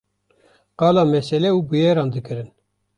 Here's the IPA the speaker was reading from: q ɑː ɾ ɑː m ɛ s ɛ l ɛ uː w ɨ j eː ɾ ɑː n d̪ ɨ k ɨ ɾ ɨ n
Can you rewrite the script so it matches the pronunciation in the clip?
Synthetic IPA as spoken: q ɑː l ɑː m ɛ s ɛ l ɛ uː b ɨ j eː ɾ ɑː n d̪ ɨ k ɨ ɾ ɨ n